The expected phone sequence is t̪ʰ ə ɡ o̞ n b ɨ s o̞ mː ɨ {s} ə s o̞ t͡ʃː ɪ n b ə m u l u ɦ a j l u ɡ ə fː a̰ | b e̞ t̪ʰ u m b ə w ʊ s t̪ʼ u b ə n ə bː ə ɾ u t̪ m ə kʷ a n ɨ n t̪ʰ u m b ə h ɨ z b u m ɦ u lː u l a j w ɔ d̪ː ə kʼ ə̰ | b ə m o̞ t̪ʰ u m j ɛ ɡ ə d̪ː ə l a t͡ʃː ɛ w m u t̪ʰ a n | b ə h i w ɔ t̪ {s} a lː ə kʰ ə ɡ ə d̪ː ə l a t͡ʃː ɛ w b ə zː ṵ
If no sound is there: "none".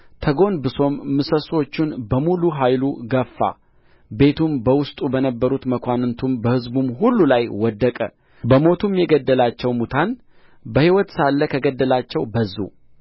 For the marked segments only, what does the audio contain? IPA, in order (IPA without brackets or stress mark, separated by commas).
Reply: s, s